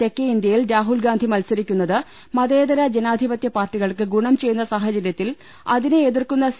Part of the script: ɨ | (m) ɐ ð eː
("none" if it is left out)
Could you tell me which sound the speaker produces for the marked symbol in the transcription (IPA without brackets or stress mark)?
m